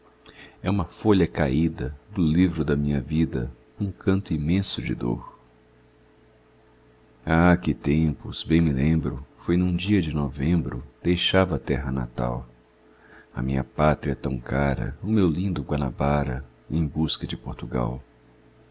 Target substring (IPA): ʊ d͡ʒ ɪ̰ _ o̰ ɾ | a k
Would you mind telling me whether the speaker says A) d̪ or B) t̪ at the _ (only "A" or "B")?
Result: A